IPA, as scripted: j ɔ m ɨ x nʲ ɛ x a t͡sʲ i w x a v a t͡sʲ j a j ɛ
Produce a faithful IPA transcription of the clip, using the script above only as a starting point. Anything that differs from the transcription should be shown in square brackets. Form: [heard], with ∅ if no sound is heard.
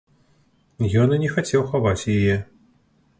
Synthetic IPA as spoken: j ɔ [n] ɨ [∅] nʲ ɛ x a t͡sʲ [ɛ] w x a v a t͡sʲ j a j ɛ